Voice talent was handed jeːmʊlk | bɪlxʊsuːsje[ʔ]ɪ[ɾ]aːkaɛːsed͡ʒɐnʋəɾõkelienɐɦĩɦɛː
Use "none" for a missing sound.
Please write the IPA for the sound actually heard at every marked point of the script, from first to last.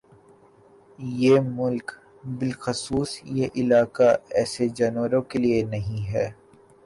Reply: ʔ, l

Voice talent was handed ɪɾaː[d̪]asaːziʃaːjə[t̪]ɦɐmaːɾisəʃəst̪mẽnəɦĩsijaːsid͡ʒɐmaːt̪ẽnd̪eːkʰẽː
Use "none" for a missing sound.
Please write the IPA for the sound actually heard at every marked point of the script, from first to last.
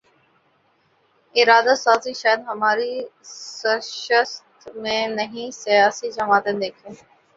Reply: d̪, d̪

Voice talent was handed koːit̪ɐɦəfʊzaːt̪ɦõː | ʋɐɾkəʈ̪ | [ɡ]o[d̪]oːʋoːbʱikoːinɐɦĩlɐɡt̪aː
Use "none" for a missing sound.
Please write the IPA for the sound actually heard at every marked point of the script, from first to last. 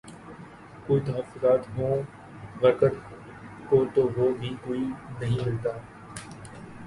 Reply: k, t̪

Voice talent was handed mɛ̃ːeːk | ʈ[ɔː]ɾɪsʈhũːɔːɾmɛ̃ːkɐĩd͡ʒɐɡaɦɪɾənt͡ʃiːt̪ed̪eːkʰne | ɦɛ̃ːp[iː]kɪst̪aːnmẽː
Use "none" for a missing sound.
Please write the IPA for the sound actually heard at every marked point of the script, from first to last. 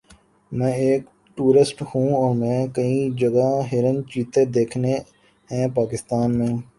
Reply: uː, aː

